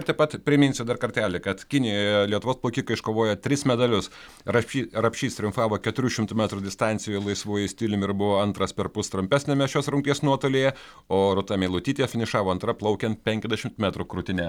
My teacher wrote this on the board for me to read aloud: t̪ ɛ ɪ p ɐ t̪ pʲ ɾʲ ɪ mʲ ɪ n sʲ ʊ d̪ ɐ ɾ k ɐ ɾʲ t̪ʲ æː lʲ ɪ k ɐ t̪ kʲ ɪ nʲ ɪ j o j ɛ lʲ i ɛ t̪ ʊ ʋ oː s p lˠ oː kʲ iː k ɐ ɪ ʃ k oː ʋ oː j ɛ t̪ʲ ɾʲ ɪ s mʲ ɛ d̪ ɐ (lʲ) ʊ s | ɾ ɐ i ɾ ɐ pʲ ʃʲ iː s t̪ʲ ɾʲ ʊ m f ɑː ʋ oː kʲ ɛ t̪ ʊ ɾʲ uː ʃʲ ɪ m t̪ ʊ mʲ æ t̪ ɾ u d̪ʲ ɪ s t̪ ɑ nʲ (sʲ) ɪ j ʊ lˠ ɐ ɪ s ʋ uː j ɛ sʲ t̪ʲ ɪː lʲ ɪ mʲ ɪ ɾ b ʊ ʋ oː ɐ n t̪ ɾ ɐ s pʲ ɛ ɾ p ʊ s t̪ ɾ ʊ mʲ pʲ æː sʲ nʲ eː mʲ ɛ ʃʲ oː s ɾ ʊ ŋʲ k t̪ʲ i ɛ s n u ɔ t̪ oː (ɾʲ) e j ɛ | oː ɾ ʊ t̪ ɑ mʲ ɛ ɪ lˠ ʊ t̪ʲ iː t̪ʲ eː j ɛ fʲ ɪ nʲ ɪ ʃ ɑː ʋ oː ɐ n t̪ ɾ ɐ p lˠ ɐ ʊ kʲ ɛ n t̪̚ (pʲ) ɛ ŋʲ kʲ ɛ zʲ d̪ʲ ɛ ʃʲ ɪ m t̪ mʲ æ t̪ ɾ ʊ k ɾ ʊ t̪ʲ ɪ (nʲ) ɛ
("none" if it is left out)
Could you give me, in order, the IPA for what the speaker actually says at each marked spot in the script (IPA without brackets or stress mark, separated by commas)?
lʲ, sʲ, lʲ, pʲ, nʲ